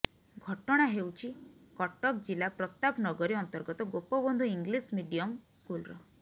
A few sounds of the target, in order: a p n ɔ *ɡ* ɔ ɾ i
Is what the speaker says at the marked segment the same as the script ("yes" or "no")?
yes